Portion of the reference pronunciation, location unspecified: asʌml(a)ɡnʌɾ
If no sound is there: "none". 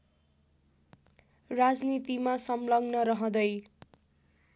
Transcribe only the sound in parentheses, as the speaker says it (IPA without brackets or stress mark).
ʌ